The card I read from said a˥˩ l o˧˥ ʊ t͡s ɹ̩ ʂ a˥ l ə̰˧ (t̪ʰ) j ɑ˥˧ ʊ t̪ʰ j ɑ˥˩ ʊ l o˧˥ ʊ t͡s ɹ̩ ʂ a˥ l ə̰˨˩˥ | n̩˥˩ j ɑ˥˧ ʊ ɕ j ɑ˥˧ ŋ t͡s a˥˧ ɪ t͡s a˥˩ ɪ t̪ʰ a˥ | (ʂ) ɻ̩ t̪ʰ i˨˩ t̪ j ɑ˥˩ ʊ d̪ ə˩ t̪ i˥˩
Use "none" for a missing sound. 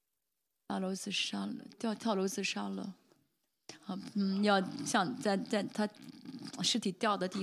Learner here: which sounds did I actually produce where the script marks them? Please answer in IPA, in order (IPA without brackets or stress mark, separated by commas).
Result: t̪, ʂ